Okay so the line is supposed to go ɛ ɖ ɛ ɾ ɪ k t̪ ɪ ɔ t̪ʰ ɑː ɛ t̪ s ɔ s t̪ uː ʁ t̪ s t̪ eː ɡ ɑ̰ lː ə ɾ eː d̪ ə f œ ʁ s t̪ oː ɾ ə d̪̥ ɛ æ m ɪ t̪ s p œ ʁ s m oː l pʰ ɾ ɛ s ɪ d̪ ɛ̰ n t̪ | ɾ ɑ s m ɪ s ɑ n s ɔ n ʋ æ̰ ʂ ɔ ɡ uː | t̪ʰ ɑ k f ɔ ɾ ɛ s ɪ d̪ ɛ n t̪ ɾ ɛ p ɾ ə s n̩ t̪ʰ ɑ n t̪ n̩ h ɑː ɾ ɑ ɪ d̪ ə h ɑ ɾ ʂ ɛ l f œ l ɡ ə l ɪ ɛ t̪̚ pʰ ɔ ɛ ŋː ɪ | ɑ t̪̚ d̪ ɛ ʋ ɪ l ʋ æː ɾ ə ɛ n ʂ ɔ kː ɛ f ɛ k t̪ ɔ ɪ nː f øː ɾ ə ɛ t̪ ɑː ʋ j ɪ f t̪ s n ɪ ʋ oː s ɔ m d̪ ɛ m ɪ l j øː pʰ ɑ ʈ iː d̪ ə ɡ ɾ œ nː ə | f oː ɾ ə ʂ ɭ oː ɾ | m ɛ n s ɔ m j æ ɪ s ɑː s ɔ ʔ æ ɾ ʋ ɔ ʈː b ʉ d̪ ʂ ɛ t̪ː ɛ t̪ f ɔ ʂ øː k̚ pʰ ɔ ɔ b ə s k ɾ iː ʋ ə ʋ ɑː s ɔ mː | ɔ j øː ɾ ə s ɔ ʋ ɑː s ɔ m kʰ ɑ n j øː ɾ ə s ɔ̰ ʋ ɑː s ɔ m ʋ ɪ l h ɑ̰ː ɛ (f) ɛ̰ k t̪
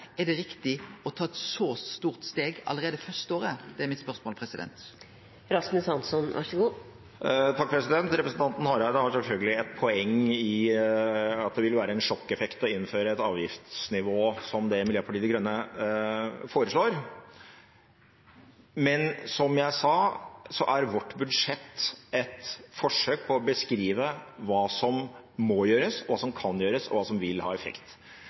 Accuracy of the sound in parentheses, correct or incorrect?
correct